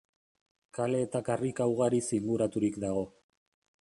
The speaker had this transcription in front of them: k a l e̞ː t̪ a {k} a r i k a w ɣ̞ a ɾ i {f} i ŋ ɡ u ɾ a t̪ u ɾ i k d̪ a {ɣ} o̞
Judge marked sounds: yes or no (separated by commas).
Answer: yes, no, yes